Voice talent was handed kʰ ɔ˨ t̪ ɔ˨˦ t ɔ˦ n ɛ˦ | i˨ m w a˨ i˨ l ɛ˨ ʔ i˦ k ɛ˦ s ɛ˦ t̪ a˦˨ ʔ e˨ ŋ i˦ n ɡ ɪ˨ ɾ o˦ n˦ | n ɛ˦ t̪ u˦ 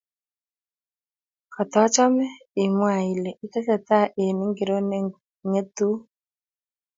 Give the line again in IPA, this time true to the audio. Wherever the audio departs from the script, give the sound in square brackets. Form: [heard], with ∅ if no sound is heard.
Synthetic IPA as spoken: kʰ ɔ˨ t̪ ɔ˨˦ [t͡ʃ] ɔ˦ [m] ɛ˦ | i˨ m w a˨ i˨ l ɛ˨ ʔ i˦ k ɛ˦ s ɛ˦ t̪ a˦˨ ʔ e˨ [n] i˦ [ŋ] ɡ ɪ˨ ɾ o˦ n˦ | [ŋ] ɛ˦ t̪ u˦